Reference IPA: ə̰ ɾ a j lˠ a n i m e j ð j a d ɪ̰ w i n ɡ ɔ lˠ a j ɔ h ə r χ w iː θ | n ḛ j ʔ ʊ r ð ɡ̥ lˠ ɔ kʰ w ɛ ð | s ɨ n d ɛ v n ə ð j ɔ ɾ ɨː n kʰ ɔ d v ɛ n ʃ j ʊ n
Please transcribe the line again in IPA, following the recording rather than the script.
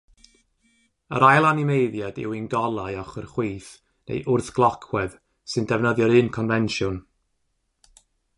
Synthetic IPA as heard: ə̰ ɾ a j lˠ a n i m e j ð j a d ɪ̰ w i n ɡ ɔ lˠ a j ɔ χ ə r χ w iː θ | n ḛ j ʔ ʊ r θ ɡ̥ lˠ ɔ kʰ w ɛ ð | s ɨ n d ɛ v n ə ð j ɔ ɾ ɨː n kʰ ɔ n v ɛ n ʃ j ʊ n